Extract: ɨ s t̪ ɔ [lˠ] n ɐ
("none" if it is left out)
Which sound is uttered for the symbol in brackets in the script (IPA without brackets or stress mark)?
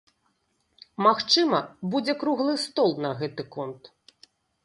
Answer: lˠ